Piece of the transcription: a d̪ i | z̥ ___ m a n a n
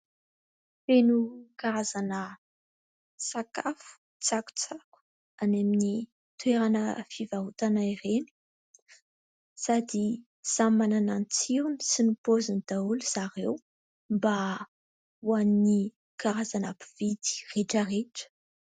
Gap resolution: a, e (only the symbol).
a